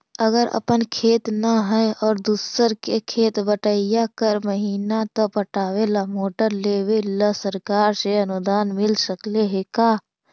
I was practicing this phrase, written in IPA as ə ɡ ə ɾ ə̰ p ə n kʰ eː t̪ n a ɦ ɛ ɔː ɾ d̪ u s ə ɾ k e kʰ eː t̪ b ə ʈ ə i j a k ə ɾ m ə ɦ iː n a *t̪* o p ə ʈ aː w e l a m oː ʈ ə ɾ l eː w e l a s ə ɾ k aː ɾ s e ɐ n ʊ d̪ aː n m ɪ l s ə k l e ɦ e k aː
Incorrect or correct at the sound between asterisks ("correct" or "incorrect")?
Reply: correct